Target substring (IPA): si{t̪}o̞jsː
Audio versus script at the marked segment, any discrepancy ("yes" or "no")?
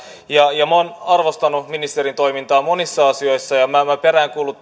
yes